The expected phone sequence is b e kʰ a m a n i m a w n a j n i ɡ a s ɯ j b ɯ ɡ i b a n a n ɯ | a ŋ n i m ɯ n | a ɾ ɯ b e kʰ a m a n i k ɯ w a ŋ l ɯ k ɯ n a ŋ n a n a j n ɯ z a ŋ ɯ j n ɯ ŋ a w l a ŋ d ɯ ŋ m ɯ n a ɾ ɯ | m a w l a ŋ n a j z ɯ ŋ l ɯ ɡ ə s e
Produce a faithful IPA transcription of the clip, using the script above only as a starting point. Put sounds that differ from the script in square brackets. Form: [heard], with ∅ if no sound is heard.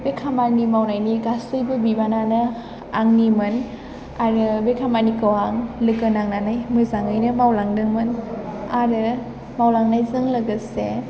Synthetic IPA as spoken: b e kʰ a m a n i m a w n a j n i ɡ a s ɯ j b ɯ [b] i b a n a n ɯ | a ŋ n i m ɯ n | a ɾ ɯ b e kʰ a m a n i k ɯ w a ŋ l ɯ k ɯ n a ŋ n a n a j [m] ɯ z a ŋ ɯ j n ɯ [m] a w l a ŋ d ɯ ŋ m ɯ n a ɾ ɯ | m a w l a ŋ n a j z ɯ ŋ l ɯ ɡ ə s e

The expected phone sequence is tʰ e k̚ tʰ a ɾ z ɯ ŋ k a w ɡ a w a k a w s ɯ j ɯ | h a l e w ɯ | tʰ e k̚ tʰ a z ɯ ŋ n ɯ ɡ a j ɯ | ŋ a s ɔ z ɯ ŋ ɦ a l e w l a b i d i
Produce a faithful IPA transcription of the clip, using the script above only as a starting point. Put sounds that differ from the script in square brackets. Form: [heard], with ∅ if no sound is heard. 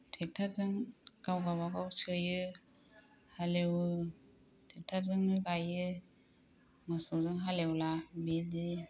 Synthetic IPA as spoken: tʰ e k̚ tʰ a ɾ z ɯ ŋ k a w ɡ a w a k a w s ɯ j ɯ | h a l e w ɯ | tʰ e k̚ tʰ a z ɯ ŋ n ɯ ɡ a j ɯ | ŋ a s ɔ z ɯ ŋ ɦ a l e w l a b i d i

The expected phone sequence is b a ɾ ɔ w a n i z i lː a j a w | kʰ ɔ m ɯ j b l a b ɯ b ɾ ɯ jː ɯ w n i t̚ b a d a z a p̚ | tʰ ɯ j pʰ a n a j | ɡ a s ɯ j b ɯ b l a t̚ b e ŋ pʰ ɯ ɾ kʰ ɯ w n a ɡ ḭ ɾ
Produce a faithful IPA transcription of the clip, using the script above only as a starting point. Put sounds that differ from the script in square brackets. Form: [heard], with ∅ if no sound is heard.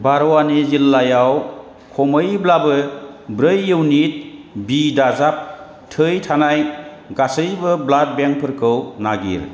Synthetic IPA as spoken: b a ɾ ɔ w a n i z i lː a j a w | kʰ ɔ m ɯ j b l a b ɯ b ɾ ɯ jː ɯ w n i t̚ b [i] d a z a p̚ | tʰ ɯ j [tʰ] a n a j | ɡ a s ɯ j b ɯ b l a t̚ b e ŋ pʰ ɯ ɾ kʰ ɯ w n a ɡ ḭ ɾ

